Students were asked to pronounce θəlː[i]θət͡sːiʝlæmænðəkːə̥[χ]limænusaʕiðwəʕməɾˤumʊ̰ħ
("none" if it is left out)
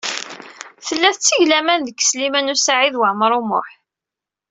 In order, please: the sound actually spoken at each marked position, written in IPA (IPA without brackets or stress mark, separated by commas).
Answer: æ, s